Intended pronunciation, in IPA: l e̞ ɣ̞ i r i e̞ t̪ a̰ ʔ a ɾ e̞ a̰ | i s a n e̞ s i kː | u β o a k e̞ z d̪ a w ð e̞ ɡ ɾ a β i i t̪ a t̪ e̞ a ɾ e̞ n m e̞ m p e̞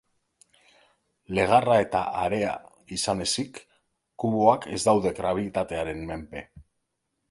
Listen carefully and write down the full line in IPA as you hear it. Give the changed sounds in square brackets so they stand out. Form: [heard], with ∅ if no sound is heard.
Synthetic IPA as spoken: l e̞ ɣ̞ [a] r [a] e̞ t̪ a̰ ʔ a ɾ e̞ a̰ | i s a n e̞ s i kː | u β o a k e̞ z d̪ a w ð e̞ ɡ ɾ a β i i t̪ a t̪ e̞ a ɾ e̞ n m e̞ m p e̞